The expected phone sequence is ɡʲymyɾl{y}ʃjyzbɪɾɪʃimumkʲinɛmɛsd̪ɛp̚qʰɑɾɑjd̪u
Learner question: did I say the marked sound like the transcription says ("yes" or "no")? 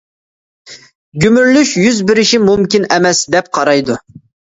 yes